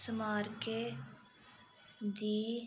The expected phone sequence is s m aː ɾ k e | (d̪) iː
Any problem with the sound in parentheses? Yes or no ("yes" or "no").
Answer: no